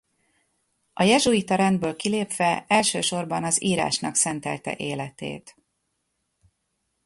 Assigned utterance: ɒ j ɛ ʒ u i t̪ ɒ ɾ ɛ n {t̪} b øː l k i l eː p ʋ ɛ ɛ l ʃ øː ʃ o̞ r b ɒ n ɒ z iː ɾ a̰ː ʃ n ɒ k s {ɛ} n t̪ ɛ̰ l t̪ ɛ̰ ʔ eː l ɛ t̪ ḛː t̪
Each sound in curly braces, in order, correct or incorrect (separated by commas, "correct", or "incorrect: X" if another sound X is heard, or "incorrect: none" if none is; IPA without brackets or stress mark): incorrect: d̪, correct